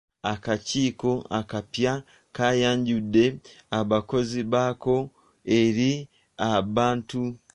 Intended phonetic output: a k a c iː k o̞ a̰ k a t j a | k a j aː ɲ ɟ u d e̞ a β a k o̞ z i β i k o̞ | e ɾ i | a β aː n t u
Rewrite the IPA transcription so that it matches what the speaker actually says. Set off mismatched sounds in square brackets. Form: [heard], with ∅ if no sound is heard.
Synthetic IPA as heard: a k a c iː k o̞ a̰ k a [p] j a | k a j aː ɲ ɟ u d e̞ a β a k o̞ z i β [a] k o̞ | e ɾ i | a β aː n t u